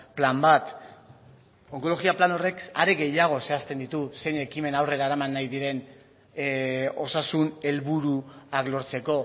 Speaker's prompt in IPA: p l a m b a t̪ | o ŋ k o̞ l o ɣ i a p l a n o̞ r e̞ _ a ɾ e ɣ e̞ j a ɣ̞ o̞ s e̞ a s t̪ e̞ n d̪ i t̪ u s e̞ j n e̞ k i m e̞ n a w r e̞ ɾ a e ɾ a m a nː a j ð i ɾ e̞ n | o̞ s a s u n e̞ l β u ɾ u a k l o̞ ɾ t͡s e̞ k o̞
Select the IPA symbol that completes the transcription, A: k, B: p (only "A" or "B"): A